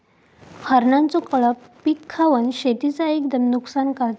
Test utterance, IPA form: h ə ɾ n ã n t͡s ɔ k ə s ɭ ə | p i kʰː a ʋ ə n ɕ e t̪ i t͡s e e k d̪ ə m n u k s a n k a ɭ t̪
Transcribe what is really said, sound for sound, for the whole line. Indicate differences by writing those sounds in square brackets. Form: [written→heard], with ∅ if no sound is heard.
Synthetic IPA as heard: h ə ɾ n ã n t͡s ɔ k ə [s→∅] ɭ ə | p i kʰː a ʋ ə n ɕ e t̪ i t͡s [e→a] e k d̪ ə m n u k s a n k a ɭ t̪

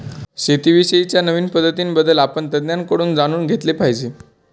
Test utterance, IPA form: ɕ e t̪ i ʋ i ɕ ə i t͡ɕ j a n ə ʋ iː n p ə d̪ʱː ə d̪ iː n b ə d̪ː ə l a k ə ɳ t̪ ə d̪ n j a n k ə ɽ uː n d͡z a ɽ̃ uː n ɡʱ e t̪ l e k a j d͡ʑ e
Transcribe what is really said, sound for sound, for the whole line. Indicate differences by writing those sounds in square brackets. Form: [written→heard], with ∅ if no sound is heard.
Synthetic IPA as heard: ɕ e t̪ i ʋ i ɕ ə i t͡ɕ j a n ə ʋ iː n p ə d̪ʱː ə [d̪→t̪] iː n b ə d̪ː ə l a [k→p] ə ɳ t̪ ə d̪ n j a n k ə ɽ uː n d͡z a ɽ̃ uː n ɡʱ e t̪ l e [k→p] a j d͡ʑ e

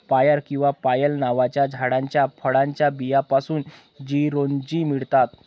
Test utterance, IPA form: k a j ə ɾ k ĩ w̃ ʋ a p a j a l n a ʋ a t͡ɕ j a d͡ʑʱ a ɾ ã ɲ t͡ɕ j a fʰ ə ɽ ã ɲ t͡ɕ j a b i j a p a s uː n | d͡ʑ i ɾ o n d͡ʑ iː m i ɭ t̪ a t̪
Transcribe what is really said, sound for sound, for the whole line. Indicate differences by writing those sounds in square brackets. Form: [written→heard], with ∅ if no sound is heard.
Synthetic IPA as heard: [k→p] a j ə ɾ k ĩ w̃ ʋ a p a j [a→ə] l n a ʋ a t͡ɕ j a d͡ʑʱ a [ɾ→ɽ] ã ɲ t͡ɕ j a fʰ ə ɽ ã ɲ t͡ɕ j a b i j a p a s uː n | d͡ʑ i ɾ o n d͡ʑ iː m i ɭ t̪ a t̪

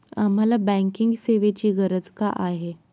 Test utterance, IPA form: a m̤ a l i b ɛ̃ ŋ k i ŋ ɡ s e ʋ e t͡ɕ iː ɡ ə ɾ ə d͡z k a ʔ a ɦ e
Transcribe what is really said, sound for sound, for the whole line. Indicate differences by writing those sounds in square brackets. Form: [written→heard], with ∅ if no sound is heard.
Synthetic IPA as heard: a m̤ a l [i→a] b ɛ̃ ŋ k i ŋ ɡ s e ʋ e t͡ɕ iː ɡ ə ɾ ə d͡z k a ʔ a ɦ e

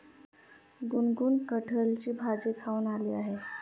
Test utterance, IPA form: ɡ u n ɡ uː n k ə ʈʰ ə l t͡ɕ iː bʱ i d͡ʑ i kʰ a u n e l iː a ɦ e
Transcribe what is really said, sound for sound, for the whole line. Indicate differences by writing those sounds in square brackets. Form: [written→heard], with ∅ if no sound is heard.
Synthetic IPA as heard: ɡ u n ɡ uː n k ə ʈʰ ə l t͡ɕ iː bʱ [i→a] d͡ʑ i kʰ a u n [e→a] l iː a ɦ e

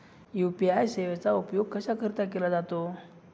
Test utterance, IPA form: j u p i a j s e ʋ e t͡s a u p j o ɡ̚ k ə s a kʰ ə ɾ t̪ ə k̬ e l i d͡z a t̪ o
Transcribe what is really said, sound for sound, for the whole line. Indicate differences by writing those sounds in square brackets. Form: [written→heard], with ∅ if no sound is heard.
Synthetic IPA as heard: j u p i a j s e ʋ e t͡s a u p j o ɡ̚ k ə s a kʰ ə ɾ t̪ [ə→a] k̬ e l [i→a] d͡z a t̪ o

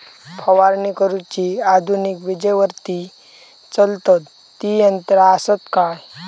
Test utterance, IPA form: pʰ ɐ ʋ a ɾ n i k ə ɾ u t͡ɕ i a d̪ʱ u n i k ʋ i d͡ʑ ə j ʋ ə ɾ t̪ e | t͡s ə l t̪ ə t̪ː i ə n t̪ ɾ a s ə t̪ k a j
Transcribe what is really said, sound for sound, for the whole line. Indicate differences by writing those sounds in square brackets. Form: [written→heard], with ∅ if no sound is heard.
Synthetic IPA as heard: pʰ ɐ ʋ a ɾ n i k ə ɾ u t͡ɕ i a d̪ʱ u n i k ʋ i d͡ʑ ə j ʋ ə ɾ t̪ [e→i] | t͡s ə l t̪ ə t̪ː i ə n t̪ ɾ a s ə t̪ k a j

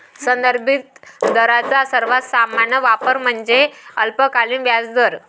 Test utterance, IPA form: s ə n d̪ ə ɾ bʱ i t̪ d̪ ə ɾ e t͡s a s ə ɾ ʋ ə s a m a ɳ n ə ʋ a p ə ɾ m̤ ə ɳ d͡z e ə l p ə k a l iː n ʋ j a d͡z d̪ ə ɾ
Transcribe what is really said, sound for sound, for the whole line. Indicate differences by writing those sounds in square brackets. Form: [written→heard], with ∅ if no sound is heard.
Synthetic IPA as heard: s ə n d̪ ə ɾ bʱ i t̪ d̪ ə ɾ [e→a] t͡s a s ə ɾ ʋ [ə→a] s a m a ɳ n ə ʋ a p ə ɾ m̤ ə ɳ d͡z e ə l p ə k a l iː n ʋ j a d͡z d̪ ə ɾ

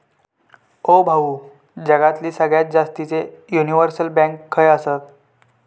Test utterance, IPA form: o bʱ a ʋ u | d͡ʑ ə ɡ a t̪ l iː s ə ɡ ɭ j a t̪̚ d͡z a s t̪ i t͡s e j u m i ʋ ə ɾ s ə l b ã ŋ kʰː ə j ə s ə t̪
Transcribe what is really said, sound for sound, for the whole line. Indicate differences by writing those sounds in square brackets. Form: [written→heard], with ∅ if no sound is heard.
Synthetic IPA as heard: o bʱ a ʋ u | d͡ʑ ə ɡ a t̪ l iː s ə ɡ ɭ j a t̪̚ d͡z a s t̪ i t͡s e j u [m→n] i ʋ ə ɾ s ə l b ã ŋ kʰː ə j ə s ə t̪

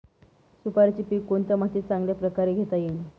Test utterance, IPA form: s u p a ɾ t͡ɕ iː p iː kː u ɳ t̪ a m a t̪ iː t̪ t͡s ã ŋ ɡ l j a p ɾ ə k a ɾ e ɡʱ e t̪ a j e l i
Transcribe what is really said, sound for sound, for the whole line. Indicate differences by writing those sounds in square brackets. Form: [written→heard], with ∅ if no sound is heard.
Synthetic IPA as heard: s u p a ɾ t͡ɕ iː p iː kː [u→o] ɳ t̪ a m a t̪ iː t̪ t͡s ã ŋ ɡ l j a p ɾ ə k a ɾ e ɡʱ e t̪ a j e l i

